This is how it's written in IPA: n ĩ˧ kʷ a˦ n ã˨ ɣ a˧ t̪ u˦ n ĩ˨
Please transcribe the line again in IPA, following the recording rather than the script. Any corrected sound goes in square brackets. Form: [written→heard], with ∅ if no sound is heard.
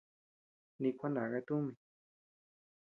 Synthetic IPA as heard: n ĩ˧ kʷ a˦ n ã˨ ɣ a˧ t̪ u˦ [n→m] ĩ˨